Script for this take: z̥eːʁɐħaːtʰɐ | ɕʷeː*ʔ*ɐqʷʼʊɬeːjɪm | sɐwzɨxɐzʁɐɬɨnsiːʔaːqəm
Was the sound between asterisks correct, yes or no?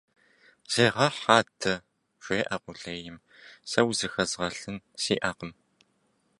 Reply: yes